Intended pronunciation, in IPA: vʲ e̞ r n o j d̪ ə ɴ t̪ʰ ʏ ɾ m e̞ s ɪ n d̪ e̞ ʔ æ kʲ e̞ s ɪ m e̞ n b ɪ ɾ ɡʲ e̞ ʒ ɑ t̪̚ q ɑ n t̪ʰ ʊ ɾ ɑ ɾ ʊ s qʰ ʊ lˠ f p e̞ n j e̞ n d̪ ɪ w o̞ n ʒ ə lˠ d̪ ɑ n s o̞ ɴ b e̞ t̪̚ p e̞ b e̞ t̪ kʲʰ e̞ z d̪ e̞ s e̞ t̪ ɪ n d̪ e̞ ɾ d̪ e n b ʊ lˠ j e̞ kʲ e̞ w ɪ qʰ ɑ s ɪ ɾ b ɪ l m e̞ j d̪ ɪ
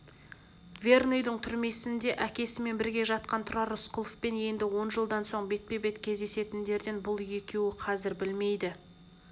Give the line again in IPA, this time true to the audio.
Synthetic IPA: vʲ e̞ r n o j d̪ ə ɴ t̪ʰ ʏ ɾ m e̞ s ɪ n d̪ e̞ ʔ æ kʲ e̞ s ɪ m e̞ n b ɪ ɾ ɡʲ e̞ ʒ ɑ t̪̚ q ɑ n t̪ʰ ʊ ɾ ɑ ɾ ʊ s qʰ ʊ lˠ f p e̞ n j e̞ n d̪ ɪ w o̞ n ʒ ə lˠ d̪ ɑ n s o̞ ɴ b e̞ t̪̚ p e̞ b e̞ t̪ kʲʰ e̞ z d̪ e̞ s e̞ t̪ ɪ n d̪ e̞ ɾ d̪ e n b ʊ lˠ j e̞ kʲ e̞ w ɪ qʰ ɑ z ɪ ɾ b ɪ l m e̞ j d̪ ɪ

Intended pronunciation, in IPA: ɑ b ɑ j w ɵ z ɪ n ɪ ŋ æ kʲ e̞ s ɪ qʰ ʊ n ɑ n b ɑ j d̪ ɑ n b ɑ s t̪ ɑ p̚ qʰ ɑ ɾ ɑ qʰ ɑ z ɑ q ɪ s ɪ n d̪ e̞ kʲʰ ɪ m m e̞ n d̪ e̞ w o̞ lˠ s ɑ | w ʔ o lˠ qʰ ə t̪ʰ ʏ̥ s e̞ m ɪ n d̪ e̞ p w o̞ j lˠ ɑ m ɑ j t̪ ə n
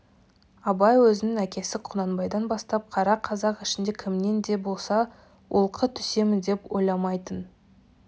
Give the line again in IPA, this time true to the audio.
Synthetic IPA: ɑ b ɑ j w ɵ z ɪ n ɪ ŋ æ kʲ e̞ s ɪ qʰ ʊ n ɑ n b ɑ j d̪ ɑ n b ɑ s t̪ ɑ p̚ qʰ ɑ ɾ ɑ qʰ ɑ z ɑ q ɪ ʃ ɪ n d̪ e̞ kʲʰ ɪ m n e̞ n d̪ e̞ b o̞ lˠ s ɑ | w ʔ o lˠ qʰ ə t̪ʰ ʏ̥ s e̞ m ɪ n d̪ e̞ p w o̞ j lˠ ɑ m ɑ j t̪ ə n

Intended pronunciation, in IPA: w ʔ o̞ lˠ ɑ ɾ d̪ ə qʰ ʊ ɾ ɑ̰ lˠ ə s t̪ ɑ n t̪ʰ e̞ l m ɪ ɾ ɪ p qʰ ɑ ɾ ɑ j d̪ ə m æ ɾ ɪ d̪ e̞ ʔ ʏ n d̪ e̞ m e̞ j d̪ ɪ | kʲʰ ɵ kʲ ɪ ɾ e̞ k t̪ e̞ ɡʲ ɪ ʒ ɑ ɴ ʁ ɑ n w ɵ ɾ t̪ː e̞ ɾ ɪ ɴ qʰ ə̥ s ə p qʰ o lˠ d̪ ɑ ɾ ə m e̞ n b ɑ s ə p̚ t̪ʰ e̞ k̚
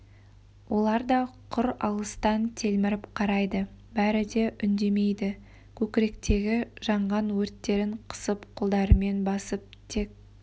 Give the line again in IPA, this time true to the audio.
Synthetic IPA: w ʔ o̞ lˠ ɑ ɾ d̪ ɑ qʰ ʊ ɾ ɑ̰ lˠ ə s t̪ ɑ n t̪ʰ e̞ l m ɪ ɾ ɪ p qʰ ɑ ɾ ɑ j d̪ ə b æ ɾ ɪ d̪ e̞ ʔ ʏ n d̪ e̞ m e̞ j d̪ ɪ | kʲʰ ɵ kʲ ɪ ɾ e̞ k t̪ e̞ ɡʲ ɪ ʒ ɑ ɴ ʁ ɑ n w ɵ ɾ t̪ː e̞ ɾ ɪ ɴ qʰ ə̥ s ə p qʰ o lˠ d̪ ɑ ɾ ə m e̞ n b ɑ s ə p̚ t̪ʰ e̞ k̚

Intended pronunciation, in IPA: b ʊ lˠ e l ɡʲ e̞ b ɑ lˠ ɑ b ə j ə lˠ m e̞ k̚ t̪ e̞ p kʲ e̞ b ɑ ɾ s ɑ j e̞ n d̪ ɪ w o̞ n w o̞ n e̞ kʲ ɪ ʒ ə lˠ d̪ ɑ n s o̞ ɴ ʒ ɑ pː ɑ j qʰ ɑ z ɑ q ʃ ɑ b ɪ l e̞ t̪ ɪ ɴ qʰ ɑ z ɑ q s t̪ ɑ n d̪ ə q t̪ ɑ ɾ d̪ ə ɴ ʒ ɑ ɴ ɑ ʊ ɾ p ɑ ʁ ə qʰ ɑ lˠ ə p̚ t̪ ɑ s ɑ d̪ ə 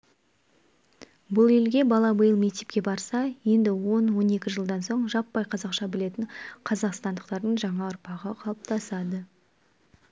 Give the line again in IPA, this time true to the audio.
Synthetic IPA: b ʊ lˠ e l ɡʲ e̞ b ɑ lˠ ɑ b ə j ə lˠ m e̞ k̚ t̪ e̞ p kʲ e̞ b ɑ ɾ s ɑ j e̞ n d̪ ɪ w o̞ n w o̞ n e̞ kʲ ɪ ʒ ə lˠ d̪ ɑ n s o̞ ɴ ʒ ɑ pː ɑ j qʰ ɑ z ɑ q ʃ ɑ b ɪ l e̞ t̪ ɪ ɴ qʰ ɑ z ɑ q s t̪ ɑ n d̪ ə q t̪ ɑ ɾ d̪ ə ɴ ʒ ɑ ɴ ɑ ʊ ɾ p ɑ ʁ ə qʰ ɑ lˠ ə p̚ t̪ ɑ s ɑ d̪ ə

